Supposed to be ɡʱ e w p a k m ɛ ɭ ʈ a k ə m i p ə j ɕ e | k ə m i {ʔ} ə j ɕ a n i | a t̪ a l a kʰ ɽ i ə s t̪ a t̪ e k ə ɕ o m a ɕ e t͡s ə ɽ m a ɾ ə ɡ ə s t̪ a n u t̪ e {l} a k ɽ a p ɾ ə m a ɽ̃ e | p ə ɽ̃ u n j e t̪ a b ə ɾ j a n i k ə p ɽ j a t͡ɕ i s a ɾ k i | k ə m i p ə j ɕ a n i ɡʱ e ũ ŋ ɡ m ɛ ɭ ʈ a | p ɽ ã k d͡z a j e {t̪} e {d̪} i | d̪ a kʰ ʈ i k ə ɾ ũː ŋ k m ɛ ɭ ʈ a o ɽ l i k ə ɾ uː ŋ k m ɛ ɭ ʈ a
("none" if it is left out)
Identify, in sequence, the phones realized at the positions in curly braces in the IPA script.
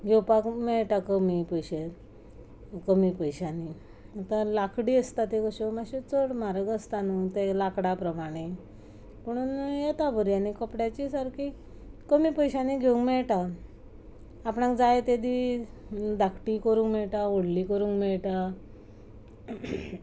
p, l, t̪, d̪

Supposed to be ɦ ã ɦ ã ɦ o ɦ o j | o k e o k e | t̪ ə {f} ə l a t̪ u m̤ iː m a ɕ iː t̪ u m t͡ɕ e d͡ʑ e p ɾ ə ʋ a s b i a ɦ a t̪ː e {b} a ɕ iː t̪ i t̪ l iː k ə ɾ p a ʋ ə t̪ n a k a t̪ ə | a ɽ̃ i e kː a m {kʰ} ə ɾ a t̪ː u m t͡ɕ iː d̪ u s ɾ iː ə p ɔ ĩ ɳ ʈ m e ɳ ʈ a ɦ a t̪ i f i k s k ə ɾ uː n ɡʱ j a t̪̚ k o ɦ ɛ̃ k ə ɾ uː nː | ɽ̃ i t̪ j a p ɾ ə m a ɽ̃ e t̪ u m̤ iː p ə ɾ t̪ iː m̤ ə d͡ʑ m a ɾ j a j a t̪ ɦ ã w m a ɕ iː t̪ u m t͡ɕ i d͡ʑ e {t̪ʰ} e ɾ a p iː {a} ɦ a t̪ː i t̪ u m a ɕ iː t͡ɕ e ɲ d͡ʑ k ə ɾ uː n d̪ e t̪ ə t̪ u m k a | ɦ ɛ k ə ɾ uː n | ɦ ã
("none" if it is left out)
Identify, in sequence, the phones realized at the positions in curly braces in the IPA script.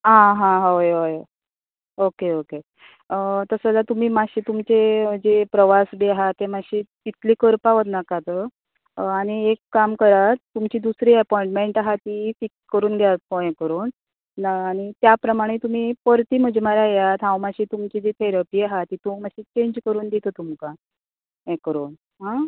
s, m, k, t̪ʰ, a

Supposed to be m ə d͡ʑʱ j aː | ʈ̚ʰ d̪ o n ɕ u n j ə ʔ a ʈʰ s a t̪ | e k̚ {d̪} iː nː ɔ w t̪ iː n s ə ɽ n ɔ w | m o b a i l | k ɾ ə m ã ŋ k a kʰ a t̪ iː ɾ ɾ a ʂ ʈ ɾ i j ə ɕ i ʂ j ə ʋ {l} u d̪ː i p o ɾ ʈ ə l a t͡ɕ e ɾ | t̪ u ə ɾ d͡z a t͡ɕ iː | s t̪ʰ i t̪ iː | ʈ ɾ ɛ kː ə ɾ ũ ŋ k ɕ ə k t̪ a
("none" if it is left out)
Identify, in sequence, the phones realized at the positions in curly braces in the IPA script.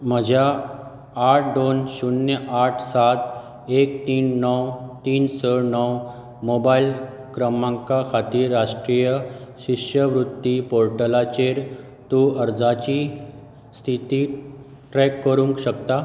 t̪, ɾ

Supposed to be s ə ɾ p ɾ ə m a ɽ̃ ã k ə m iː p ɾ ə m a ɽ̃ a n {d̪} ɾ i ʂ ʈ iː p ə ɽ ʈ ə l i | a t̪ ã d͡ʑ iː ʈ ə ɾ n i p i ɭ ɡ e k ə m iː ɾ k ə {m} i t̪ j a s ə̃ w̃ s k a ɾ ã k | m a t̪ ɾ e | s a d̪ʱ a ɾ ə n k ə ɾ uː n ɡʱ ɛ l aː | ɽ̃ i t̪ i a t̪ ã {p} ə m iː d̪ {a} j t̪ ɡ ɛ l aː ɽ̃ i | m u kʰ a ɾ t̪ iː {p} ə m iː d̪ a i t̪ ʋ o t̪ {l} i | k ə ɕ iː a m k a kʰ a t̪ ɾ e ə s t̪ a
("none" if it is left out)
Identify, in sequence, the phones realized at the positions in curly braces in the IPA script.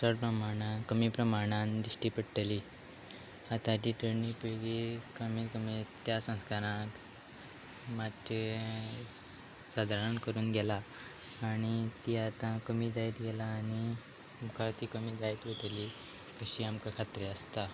d̪, m, k, a, k, l

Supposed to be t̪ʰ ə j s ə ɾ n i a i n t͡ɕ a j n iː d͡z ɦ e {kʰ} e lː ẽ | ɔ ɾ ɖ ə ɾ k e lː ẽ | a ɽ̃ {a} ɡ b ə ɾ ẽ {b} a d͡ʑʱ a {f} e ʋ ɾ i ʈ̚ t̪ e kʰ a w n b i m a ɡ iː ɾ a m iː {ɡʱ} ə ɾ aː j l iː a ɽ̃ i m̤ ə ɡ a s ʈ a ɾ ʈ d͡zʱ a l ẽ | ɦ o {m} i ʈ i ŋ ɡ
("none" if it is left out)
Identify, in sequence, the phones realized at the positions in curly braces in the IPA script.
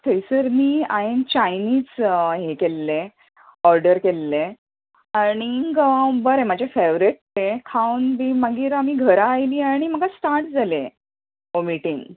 k, i, m, f, ɡʱ, m

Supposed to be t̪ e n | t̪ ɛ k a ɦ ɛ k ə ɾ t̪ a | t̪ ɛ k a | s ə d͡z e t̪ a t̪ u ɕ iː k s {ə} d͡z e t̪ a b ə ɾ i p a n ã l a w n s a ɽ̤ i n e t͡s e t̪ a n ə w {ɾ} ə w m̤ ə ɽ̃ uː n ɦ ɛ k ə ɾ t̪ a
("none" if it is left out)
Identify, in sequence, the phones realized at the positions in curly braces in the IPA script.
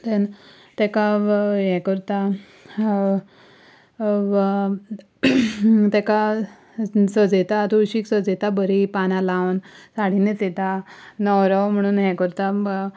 ə, ɾ

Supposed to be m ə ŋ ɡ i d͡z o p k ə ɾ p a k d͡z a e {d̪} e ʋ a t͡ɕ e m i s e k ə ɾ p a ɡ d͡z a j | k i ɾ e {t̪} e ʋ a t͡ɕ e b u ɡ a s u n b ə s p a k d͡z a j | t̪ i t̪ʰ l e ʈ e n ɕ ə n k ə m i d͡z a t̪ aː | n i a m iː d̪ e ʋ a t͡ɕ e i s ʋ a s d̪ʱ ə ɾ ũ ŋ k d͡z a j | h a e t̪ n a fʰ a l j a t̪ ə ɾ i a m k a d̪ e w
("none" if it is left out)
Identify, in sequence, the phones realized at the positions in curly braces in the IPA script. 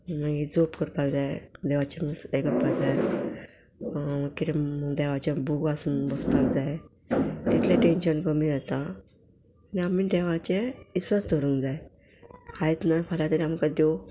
d̪, d̪

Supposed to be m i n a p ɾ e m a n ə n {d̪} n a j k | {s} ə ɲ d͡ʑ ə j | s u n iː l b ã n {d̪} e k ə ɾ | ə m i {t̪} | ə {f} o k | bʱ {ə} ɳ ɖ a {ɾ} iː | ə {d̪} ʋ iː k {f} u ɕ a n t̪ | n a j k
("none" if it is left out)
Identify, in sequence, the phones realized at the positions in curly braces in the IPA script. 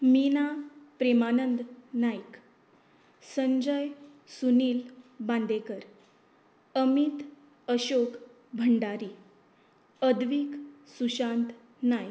d̪, s, d̪, t̪, ɕ, ə, ɾ, d̪, s

